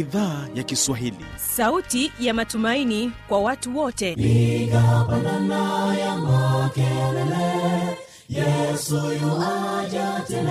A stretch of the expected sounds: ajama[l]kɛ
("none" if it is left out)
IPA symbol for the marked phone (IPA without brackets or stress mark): none